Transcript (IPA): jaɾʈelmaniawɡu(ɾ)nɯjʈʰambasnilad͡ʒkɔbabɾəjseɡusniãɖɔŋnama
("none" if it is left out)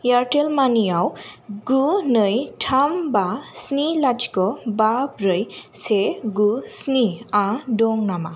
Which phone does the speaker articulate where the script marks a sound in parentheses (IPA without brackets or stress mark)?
none